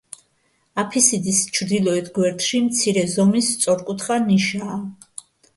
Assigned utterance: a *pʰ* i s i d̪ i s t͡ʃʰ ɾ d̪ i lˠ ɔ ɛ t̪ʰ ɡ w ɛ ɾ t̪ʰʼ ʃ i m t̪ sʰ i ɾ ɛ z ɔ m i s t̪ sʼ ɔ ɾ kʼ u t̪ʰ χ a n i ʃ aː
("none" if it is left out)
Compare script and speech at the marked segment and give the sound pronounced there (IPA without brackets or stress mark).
pʰ